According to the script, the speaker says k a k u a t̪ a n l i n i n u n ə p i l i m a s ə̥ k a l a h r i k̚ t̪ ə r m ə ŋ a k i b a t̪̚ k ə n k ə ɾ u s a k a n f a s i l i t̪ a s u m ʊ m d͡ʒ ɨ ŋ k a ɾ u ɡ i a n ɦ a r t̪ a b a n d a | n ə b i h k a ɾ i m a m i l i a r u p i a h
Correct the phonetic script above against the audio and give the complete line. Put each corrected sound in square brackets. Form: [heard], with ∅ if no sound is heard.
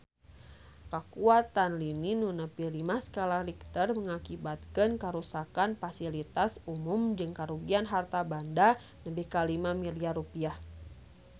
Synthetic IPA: k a k u a t̪ a n l i n i n u n ə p i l i m a s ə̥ k a l a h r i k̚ t̪ ə r m ə ŋ a k i b a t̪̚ k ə n k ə ɾ u s a k a n f a s i l i t̪ a s u m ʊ m d͡ʒ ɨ ŋ k a ɾ u ɡ i a n ɦ a r t̪ a b a n d a | n ə b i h k a [l] i m a m i l i a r u p i a h